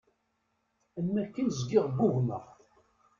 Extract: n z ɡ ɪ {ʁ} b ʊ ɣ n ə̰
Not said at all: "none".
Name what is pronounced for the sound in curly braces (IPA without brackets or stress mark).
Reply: ʁ